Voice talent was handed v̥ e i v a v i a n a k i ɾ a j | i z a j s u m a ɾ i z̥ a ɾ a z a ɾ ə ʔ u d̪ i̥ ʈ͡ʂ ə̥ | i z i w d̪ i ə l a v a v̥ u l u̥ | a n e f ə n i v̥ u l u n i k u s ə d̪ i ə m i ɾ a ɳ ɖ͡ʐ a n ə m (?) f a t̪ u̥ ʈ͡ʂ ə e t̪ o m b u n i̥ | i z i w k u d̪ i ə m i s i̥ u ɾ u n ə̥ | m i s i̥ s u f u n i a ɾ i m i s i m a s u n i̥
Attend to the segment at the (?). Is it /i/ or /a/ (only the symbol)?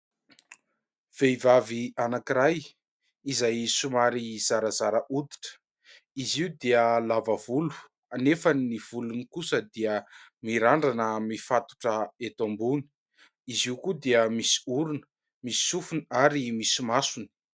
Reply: i